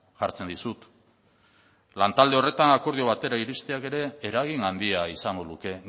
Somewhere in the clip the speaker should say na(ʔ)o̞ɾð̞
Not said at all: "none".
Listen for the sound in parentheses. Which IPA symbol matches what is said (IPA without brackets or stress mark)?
k